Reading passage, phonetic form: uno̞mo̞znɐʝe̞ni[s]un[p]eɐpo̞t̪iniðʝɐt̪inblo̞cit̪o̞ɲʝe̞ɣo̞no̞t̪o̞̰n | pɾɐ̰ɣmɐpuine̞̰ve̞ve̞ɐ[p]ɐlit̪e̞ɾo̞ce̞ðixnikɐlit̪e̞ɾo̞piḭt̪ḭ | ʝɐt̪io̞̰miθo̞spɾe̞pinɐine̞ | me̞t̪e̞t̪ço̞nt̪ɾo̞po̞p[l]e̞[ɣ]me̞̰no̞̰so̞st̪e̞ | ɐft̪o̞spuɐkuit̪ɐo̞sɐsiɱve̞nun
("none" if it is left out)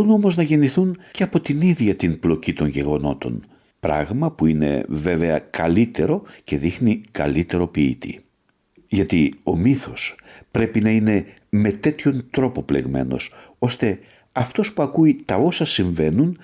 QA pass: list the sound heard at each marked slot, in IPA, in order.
θ, c, k, l, ɣ

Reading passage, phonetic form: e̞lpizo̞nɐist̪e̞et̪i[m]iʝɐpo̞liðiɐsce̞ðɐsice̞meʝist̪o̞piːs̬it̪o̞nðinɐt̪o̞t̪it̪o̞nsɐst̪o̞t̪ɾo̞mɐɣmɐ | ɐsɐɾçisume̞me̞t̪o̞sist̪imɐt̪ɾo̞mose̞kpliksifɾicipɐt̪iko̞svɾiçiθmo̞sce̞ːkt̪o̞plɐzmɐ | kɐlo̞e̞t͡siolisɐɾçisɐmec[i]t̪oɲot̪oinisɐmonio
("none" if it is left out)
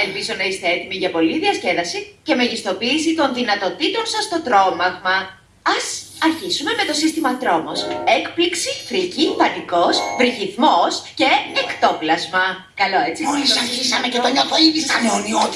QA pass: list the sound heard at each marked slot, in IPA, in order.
m, e

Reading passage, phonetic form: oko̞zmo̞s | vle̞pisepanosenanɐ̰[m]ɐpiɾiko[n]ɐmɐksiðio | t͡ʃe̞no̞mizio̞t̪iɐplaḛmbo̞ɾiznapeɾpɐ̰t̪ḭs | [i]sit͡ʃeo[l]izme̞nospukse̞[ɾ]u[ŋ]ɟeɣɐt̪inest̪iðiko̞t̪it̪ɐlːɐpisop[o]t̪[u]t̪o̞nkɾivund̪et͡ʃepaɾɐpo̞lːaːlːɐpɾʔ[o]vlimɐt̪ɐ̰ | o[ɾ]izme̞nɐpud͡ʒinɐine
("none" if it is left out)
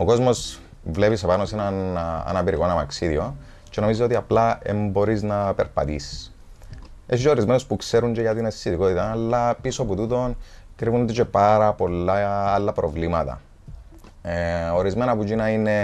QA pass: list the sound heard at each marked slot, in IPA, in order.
n, n, e, ɾ, ɾ, ɲ, u, u, o, ɾ

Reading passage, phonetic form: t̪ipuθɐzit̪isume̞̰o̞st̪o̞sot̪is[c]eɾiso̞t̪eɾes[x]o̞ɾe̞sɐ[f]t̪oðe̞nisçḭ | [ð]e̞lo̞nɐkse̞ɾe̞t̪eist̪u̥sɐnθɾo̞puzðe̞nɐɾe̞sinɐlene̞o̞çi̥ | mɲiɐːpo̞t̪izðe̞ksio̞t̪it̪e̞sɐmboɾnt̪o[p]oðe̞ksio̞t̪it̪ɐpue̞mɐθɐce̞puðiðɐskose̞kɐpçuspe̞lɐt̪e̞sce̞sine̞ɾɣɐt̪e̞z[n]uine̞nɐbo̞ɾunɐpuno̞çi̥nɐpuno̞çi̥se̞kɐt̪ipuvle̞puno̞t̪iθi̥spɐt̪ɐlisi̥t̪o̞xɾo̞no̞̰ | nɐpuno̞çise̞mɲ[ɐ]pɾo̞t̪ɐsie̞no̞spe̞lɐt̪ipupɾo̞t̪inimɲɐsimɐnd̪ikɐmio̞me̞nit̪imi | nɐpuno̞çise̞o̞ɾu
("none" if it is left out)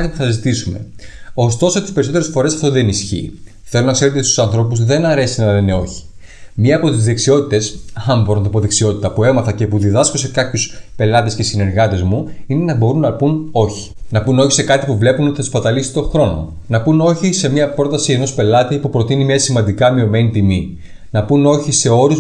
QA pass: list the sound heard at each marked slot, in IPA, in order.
p, f, f, θ, p, m, ɐ

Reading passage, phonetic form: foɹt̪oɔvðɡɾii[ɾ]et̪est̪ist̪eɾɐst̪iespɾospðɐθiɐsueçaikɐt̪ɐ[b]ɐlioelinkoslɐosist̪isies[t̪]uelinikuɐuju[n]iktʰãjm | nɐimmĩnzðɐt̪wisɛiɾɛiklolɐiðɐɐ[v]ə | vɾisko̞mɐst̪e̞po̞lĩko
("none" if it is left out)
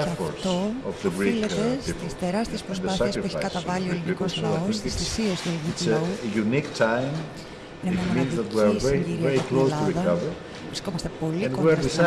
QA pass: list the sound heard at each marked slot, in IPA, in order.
l, v, t̪, n, v

